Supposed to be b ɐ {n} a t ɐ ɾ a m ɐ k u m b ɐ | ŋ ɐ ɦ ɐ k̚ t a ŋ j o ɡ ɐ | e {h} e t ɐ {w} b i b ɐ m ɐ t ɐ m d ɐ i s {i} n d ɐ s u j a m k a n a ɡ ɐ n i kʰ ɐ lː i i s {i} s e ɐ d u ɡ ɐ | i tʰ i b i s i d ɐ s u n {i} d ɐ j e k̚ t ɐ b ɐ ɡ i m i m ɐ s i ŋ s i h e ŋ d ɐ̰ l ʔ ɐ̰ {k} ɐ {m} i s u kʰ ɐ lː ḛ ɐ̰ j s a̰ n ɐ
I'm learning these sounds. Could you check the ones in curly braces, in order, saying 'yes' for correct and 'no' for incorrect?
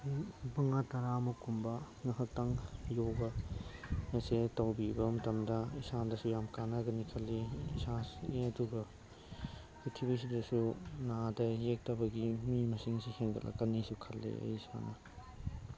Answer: no, no, yes, no, no, no, yes, no

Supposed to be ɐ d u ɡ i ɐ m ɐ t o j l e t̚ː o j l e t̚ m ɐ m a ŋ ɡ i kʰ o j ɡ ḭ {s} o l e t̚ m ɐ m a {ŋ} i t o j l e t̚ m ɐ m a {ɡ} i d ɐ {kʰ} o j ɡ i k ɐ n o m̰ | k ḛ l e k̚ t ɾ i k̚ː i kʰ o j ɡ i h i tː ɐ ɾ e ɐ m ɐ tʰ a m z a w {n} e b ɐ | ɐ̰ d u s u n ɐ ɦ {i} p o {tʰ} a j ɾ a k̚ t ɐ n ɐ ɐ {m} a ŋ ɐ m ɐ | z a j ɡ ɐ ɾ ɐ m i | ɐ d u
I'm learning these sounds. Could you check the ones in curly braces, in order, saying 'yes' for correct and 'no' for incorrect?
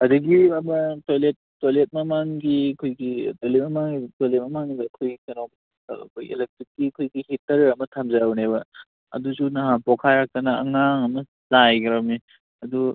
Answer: no, yes, no, yes, yes, no, no, no

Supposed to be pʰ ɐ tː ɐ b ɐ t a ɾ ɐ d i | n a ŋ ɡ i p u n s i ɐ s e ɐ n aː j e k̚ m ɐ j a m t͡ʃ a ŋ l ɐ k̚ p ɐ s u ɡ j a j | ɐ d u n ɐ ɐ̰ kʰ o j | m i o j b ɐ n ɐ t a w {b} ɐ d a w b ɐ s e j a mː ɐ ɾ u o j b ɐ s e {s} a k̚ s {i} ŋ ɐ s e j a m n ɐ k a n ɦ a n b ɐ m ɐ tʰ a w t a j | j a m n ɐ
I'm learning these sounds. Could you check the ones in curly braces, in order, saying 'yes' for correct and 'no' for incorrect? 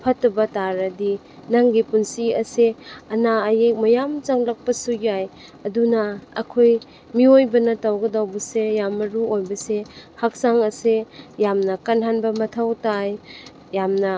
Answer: no, no, no

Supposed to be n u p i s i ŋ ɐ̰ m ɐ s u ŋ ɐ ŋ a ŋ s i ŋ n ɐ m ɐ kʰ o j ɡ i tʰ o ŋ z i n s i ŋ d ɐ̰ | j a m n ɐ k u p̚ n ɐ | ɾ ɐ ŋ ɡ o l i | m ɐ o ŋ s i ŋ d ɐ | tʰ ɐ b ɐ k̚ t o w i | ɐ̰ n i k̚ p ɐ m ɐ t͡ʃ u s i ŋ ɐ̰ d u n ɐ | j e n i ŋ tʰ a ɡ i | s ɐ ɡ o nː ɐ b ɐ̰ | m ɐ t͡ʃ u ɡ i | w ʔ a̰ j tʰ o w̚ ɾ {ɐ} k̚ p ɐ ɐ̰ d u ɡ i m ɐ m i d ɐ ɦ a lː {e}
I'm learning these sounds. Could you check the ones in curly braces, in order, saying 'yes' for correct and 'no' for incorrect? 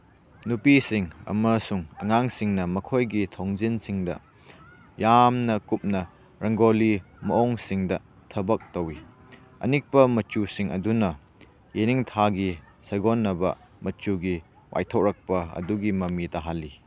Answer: yes, no

